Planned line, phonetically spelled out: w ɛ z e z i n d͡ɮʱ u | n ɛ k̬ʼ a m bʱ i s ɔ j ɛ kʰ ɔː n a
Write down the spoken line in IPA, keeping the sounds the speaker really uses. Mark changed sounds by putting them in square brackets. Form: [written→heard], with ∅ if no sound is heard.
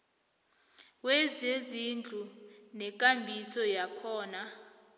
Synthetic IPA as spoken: w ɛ z e z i n d͡ɮʱ u | n ɛ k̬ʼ a m bʱ i s ɔ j [ɛ→a] kʰ ɔː n a